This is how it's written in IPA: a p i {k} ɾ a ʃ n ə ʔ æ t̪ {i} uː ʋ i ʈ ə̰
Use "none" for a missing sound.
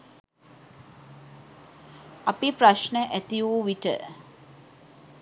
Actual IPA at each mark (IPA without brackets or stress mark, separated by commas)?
p, i